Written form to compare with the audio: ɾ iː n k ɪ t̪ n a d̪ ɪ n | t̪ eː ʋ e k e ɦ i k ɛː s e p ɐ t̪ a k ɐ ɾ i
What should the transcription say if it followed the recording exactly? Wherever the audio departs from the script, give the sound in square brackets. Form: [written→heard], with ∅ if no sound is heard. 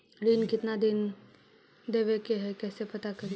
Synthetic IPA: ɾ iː n k ɪ t̪ n a d̪ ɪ n | [t̪→d̪] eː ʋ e k e ɦ [i→ɛ] k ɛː s e p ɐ t̪ a k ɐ ɾ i